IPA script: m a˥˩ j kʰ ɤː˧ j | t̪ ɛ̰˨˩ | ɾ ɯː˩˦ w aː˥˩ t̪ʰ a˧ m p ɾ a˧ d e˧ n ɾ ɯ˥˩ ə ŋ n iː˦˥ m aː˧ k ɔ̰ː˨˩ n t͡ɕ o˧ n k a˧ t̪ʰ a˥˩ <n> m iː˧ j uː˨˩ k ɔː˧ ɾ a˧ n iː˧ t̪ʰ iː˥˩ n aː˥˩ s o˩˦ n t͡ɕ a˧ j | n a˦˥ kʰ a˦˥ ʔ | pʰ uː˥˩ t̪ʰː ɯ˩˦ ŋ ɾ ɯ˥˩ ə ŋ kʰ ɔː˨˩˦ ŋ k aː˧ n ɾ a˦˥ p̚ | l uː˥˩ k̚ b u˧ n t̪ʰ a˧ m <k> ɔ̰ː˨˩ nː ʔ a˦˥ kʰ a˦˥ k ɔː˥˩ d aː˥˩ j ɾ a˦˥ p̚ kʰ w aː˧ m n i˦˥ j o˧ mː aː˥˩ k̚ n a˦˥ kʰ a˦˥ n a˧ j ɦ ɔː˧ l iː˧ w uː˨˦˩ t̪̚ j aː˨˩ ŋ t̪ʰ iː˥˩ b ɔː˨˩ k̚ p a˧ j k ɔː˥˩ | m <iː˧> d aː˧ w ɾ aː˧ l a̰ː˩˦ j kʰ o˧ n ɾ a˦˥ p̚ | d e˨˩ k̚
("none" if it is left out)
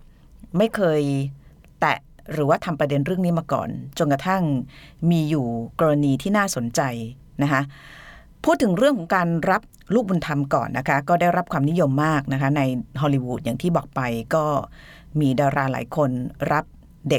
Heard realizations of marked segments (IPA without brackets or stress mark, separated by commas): ŋ, k, iː˧